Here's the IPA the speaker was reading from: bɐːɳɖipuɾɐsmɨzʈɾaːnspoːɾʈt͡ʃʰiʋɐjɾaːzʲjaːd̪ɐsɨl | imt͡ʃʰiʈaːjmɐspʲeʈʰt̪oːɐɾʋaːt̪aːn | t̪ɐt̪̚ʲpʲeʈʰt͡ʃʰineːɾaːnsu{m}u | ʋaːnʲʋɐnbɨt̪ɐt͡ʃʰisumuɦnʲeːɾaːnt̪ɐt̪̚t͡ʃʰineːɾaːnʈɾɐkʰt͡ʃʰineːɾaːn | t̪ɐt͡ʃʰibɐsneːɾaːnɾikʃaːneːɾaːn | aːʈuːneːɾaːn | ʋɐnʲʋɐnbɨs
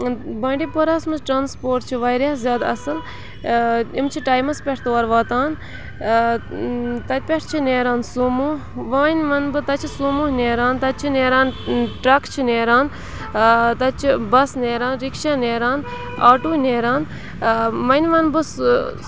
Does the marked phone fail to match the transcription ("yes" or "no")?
no